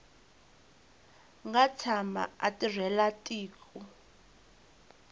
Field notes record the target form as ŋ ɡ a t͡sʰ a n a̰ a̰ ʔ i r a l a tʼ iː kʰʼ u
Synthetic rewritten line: ŋ ɡ a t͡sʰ a m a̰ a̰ t i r ɛ l a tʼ iː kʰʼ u